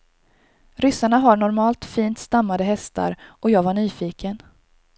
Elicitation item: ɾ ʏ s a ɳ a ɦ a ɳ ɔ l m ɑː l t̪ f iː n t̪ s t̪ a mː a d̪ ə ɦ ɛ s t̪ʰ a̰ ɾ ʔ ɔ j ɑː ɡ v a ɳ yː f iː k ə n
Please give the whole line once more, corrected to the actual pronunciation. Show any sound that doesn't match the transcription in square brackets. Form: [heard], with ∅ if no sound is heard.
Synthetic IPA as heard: ɾ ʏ s a ɳ a ɦ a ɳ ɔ [ɾ] m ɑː l t̪ f iː n t̪ s t̪ a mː a d̪ ə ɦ ɛ s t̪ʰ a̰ ɾ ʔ ɔ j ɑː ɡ v a ɳ yː f iː k ə n